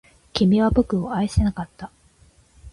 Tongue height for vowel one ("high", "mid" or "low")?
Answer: high